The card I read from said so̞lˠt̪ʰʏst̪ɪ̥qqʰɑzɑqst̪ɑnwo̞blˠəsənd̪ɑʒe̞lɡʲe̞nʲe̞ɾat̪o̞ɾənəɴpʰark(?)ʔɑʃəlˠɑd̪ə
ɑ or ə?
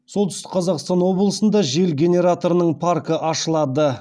ə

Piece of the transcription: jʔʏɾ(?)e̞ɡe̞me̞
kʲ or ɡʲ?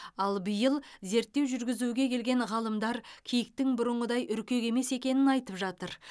kʲ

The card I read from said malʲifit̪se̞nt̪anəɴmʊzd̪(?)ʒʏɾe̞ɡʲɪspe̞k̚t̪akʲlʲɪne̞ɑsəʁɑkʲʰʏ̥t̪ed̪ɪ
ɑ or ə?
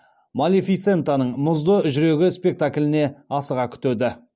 ə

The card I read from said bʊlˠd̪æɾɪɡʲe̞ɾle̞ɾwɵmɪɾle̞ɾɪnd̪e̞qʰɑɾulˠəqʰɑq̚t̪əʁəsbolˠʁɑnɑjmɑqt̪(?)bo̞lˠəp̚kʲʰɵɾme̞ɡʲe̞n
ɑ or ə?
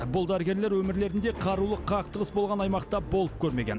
ɑ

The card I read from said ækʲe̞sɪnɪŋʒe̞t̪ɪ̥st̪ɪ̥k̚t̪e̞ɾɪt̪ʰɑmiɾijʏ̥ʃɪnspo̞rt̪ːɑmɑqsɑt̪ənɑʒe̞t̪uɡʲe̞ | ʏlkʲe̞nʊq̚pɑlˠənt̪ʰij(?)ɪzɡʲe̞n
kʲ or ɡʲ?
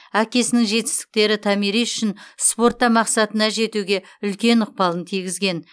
ɡʲ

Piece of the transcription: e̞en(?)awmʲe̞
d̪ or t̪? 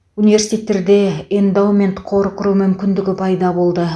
d̪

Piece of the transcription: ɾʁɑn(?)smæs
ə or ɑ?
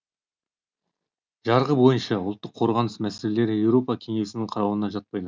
ə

